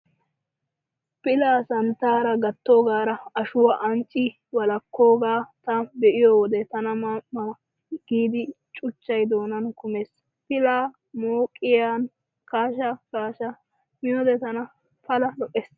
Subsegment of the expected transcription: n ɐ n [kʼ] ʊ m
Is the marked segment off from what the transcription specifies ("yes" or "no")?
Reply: yes